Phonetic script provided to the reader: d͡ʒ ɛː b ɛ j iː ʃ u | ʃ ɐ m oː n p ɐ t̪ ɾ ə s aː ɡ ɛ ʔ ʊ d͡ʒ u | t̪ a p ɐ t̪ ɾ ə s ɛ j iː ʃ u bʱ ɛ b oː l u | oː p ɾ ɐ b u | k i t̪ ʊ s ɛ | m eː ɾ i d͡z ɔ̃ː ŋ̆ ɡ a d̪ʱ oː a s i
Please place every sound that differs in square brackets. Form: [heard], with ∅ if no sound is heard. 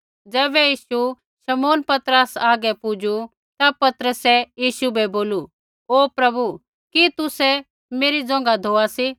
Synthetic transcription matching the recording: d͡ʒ ɛː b ɛ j iː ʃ u | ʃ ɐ m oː n p ɐ t̪ ɾ ə s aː ɡ ɛ [p] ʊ d͡ʒ u | t̪ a p ɐ t̪ ɾ ə s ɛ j iː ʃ u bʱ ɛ b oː l u | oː p ɾ ɐ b u | k i t̪ ʊ s ɛ | m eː ɾ i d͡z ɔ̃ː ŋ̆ ɡ a d̪ʱ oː a s i